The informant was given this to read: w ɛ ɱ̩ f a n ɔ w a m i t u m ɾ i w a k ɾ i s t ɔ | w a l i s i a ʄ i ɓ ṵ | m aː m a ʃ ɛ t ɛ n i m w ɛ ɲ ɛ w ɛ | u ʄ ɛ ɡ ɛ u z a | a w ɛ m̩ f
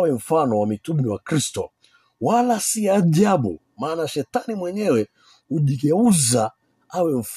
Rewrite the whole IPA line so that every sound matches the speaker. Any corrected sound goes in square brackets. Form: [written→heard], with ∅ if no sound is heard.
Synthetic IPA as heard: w ɛ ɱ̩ f a n ɔ w a m i t u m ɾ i w a k ɾ i s t ɔ | w a l [i→a] s i a ʄ [i→a] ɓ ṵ | m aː [m→n] a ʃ ɛ t [ɛ→a] n i m w ɛ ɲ ɛ w ɛ | u ʄ [ɛ→i] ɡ ɛ u z a | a w ɛ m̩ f